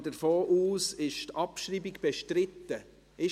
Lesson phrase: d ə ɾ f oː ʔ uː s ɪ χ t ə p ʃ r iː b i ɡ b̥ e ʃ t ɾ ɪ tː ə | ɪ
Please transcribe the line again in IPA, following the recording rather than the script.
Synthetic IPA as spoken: d ə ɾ f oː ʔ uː s ɪ ʃ t ɑ p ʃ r iː b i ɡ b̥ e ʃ t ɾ ɪ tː ə | ɪ